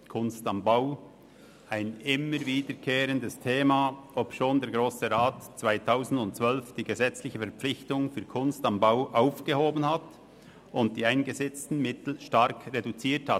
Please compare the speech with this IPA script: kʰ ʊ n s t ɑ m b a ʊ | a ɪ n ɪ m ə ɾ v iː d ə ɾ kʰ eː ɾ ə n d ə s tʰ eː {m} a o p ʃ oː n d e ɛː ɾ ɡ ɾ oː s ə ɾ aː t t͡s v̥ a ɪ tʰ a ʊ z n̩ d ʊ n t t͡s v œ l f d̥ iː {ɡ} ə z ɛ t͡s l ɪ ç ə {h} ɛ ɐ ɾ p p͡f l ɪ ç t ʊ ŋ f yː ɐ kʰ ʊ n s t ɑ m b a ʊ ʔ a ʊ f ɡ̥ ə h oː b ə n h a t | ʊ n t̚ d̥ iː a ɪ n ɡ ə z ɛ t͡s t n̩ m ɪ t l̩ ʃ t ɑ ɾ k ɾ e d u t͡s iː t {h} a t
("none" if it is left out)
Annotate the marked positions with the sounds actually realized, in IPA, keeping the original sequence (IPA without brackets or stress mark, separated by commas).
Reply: m, ɡ, f, h